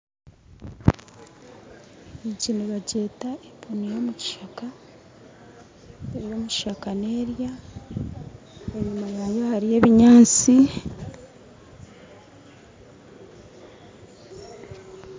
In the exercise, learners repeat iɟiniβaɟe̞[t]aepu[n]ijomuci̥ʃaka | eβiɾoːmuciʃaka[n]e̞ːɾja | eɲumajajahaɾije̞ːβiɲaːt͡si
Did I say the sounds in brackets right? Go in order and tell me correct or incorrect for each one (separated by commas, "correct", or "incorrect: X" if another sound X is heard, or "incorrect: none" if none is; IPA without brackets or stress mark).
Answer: correct, correct, correct